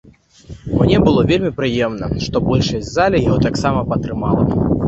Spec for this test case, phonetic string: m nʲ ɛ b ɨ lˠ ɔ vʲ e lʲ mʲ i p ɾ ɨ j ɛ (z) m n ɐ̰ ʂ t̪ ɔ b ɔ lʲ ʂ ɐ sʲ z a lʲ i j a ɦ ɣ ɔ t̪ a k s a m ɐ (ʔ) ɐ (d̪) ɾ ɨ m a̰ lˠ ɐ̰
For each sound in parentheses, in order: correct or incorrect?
incorrect, incorrect, incorrect

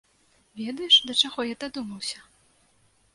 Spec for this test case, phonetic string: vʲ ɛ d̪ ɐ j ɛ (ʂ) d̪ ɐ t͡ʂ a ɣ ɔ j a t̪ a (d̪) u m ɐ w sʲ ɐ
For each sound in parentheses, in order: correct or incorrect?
correct, correct

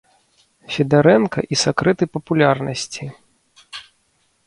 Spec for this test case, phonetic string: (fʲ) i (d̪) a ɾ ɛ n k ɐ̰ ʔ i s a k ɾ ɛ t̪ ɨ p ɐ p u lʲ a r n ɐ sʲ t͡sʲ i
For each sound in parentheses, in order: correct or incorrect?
correct, correct

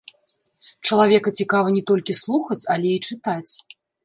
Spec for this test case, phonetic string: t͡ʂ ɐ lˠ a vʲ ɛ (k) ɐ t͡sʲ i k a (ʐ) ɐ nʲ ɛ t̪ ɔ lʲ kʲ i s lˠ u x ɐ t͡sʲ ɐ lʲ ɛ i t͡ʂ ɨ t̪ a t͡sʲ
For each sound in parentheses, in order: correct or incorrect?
correct, incorrect

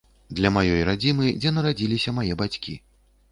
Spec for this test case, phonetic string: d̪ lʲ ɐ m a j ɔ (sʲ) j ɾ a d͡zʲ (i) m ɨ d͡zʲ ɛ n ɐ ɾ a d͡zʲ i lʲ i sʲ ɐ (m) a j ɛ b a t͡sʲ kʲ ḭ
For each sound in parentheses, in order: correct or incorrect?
incorrect, correct, correct

